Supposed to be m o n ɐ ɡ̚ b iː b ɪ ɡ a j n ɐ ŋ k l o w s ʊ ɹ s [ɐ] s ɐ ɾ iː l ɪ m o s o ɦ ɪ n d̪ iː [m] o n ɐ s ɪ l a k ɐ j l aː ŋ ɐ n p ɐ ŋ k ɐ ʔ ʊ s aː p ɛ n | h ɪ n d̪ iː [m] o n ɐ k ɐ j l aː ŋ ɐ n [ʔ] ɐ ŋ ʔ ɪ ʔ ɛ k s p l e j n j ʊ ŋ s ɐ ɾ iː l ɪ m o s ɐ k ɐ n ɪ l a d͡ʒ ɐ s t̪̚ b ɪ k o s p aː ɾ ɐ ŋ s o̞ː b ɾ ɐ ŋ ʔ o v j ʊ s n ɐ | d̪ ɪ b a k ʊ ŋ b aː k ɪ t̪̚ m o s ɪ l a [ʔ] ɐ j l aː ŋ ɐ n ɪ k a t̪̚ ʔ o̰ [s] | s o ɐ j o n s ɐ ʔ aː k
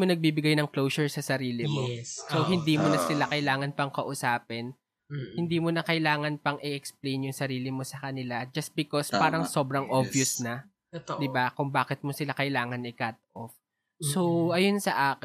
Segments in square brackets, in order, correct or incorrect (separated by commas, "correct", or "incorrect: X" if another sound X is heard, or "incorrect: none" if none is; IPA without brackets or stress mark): correct, correct, correct, incorrect: p, incorrect: k, incorrect: f